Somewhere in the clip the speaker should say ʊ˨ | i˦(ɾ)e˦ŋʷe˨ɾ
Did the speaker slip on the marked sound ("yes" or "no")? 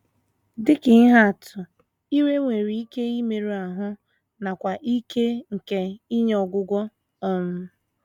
no